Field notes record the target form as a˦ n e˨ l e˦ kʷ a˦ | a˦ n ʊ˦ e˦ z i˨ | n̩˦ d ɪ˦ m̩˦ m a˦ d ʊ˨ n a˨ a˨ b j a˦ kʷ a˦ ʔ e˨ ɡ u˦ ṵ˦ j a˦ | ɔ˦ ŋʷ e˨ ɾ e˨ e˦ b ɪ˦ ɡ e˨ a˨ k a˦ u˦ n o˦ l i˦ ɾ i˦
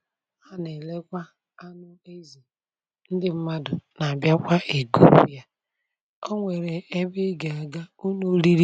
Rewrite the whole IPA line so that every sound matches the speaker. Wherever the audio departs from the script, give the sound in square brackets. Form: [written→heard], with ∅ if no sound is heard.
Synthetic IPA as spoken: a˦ n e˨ l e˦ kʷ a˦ | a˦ n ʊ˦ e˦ z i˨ | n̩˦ d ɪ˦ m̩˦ m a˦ d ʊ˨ n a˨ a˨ b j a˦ kʷ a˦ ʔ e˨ ɡ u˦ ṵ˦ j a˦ | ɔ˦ ŋʷ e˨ ɾ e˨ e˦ b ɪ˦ ɡ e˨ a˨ [k→ɡ] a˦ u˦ n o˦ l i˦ ɾ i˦